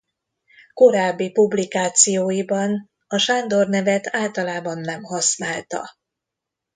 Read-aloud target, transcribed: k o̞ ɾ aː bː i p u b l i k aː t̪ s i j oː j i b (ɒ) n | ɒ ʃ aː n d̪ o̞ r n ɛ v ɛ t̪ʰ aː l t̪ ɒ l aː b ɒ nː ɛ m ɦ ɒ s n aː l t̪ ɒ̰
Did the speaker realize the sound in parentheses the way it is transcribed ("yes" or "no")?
yes